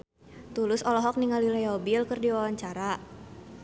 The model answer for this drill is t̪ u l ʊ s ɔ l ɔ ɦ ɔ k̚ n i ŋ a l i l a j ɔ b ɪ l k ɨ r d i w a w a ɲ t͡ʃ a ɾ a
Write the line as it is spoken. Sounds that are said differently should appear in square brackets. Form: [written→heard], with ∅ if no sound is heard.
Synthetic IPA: t̪ u l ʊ s ɔ l ɔ ɦ ɔ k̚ n i ŋ a l i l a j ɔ b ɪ l k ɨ r d i w a w a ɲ t͡ʃ a ɾ a